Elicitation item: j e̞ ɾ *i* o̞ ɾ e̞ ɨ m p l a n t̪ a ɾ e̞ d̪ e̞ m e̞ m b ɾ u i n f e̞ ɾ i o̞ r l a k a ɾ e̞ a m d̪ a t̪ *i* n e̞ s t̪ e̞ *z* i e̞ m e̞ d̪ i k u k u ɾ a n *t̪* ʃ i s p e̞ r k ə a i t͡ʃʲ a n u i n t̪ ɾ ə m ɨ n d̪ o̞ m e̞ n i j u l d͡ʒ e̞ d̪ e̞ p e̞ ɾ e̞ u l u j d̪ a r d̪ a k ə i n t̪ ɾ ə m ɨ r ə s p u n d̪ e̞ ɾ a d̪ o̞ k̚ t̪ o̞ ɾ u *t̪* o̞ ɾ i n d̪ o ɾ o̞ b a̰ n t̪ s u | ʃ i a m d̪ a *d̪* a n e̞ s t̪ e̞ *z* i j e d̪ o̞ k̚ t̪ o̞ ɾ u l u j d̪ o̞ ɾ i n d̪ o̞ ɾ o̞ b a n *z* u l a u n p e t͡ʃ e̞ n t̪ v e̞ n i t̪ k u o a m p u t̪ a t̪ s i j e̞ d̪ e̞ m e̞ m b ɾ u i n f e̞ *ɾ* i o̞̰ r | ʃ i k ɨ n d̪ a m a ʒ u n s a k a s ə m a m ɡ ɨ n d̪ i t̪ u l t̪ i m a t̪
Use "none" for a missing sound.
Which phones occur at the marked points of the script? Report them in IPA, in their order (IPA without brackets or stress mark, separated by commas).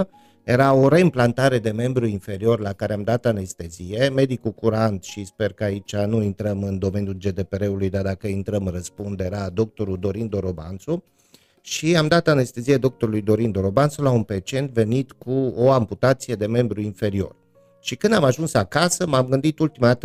a, a, z, t̪, d̪, t̪, z, s, ɾ